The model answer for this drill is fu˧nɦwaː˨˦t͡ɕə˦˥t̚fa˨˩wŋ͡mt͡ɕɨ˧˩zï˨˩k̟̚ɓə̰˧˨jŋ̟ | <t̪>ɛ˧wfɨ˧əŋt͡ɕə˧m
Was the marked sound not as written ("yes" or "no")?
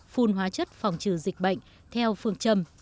yes